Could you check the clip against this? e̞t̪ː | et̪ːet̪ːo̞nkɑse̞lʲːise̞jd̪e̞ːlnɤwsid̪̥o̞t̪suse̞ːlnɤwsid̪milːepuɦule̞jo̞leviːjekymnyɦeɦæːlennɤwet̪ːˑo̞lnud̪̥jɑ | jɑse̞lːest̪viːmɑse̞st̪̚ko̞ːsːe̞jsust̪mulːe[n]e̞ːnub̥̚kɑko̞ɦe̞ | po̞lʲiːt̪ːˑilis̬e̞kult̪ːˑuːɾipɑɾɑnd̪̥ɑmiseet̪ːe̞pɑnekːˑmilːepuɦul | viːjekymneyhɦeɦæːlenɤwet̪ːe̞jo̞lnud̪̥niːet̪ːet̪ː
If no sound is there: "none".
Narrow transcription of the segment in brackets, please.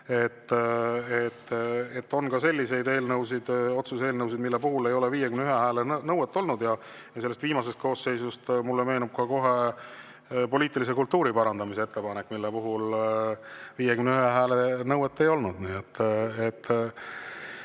m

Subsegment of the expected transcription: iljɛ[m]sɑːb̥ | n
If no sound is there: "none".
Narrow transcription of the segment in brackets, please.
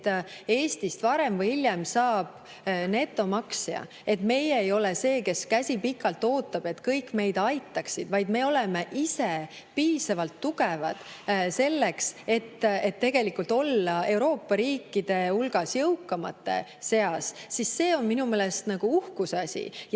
m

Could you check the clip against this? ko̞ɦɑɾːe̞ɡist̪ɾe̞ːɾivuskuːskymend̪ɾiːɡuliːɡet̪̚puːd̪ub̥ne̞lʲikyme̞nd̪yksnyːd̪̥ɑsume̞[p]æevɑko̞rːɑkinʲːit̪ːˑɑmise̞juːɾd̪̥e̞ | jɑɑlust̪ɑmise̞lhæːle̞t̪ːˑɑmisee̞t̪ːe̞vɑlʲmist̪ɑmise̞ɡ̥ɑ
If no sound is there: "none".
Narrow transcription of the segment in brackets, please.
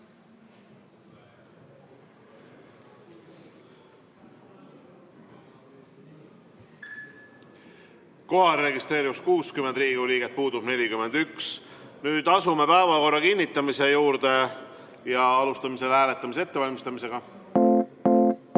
p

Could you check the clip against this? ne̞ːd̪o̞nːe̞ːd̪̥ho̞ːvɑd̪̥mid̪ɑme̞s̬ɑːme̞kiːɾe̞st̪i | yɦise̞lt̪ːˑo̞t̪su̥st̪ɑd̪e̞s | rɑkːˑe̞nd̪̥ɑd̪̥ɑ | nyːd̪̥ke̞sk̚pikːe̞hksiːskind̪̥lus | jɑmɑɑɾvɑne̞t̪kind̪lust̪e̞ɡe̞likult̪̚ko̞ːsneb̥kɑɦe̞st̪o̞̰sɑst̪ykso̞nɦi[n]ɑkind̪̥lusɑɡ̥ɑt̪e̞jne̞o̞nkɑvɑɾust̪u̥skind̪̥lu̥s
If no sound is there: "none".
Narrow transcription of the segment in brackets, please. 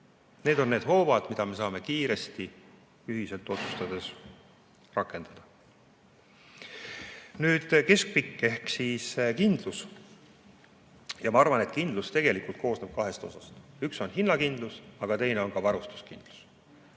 nː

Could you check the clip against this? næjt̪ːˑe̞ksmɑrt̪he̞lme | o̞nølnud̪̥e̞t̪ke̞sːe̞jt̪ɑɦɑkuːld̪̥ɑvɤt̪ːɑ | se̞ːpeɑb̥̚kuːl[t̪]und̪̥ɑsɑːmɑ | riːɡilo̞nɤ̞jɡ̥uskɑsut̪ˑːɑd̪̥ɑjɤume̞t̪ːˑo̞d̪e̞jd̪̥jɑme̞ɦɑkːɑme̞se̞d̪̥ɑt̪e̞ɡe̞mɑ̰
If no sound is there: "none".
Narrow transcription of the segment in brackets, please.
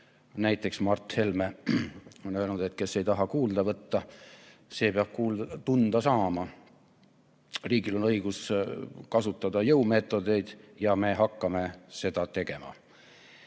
t̪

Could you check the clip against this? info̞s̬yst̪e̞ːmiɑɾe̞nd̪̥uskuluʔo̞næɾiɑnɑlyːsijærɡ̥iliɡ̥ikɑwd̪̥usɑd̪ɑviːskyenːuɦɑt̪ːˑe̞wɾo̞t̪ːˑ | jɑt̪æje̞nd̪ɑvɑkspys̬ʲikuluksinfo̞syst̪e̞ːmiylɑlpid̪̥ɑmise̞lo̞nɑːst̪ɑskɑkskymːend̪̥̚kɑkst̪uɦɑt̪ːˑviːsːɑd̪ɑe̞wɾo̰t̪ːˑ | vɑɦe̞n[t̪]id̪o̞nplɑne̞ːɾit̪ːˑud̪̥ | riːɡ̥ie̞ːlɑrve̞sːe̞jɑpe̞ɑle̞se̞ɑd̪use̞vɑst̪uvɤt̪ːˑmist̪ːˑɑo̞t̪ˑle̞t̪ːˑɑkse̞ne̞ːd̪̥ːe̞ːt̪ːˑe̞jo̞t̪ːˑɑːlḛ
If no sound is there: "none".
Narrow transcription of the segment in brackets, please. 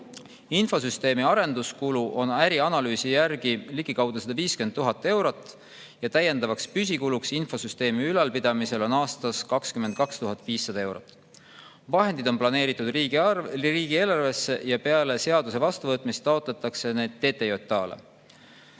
d̪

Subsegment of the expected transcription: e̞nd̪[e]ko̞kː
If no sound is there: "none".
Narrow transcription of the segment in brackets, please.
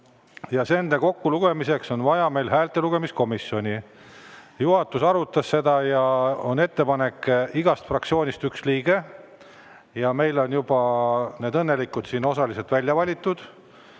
e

